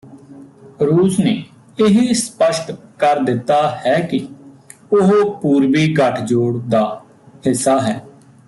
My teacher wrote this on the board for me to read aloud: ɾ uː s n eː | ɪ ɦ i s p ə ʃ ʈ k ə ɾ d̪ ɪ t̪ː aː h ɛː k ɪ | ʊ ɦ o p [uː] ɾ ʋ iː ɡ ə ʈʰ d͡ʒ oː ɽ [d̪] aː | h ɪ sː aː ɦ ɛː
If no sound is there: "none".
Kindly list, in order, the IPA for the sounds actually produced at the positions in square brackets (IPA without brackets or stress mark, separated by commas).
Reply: uː, d̪